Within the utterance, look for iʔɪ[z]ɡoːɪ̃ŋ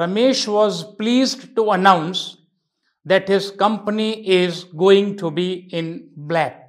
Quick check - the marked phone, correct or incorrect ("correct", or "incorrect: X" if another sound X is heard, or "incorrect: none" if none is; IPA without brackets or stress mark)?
correct